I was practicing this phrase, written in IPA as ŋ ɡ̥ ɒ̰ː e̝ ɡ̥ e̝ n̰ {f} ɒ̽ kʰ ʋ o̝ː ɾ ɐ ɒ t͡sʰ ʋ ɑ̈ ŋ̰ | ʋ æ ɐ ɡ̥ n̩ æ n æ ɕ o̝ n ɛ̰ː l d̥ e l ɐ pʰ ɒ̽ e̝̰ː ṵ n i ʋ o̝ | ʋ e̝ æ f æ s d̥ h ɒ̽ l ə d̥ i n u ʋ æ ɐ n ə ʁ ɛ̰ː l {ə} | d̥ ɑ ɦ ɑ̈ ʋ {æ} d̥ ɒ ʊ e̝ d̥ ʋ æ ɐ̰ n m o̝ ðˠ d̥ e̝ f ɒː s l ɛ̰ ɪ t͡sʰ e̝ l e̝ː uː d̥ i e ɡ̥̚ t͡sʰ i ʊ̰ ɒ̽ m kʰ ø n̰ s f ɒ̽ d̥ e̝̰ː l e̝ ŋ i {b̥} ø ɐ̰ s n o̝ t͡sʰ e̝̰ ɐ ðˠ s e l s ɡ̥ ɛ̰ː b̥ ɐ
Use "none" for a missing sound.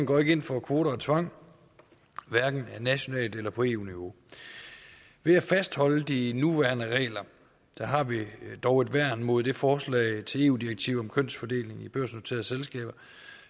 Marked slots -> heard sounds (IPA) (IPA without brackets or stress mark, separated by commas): f, ɐ, i, b̥